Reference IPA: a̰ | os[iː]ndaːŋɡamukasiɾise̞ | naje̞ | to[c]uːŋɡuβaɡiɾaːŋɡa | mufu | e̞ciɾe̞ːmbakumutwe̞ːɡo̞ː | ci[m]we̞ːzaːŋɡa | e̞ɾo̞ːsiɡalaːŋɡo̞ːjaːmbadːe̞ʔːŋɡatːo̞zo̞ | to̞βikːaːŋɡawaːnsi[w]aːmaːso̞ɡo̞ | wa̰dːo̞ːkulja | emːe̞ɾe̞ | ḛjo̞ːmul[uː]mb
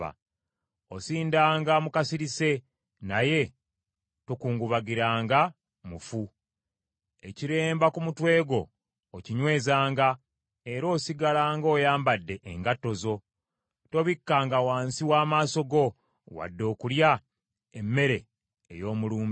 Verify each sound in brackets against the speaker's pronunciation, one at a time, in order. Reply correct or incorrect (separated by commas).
correct, incorrect, incorrect, correct, correct